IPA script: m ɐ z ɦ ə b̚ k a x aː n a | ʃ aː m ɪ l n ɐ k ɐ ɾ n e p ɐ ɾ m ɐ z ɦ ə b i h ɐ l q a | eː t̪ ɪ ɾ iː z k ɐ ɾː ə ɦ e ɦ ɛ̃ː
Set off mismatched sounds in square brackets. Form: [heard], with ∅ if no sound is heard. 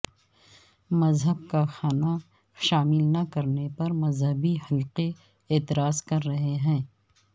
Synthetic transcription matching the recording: m ɐ z ɦ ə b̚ k a x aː n a | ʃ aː m ɪ l n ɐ k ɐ ɾ n e p ɐ ɾ m ɐ z ɦ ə b i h ɐ l q [e] | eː t̪ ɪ ɾ [aː] z k ɐ ɾː [ɐ] ɦ e ɦ ɛ̃ː